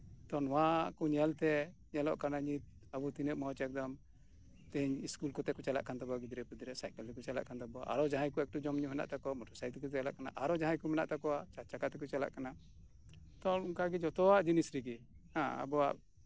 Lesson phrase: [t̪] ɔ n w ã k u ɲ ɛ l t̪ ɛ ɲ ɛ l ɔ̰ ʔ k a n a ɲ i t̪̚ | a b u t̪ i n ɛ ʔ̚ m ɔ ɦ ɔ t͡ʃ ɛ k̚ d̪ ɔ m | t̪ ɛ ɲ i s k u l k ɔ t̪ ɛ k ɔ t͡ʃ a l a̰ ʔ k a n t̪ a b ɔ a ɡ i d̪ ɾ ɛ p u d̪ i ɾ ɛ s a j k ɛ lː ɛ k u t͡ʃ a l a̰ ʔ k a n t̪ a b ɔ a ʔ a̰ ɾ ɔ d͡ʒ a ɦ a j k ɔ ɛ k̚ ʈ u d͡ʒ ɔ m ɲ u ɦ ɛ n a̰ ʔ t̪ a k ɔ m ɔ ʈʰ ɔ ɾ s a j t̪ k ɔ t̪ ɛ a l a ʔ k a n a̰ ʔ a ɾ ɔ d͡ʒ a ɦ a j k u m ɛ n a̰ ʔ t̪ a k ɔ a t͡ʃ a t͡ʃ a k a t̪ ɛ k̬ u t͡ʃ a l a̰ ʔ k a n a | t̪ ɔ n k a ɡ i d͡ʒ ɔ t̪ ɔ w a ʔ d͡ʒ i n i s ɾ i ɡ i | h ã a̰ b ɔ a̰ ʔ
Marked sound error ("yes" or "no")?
no